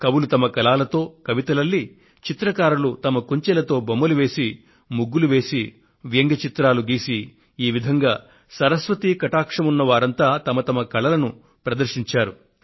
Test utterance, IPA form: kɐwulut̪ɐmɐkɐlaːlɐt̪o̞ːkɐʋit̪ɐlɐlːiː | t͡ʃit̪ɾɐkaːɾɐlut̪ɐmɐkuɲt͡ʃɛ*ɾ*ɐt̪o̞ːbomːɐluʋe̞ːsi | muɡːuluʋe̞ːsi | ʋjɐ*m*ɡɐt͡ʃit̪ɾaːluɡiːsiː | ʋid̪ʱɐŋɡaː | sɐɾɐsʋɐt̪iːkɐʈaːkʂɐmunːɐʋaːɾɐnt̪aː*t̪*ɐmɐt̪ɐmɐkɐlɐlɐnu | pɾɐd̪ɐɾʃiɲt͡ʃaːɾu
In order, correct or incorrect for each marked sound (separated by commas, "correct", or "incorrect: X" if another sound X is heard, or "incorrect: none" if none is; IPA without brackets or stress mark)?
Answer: incorrect: l, incorrect: ŋ, correct